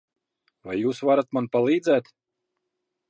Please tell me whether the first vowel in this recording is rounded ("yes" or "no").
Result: no